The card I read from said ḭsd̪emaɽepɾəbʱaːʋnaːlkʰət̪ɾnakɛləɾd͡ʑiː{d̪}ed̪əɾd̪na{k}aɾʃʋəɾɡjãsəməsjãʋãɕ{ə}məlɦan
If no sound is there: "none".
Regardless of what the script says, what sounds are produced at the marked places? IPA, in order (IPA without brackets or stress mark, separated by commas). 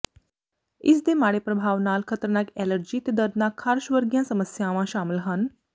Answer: t̪, kʰ, a